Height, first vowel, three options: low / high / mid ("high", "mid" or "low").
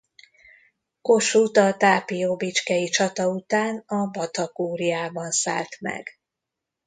mid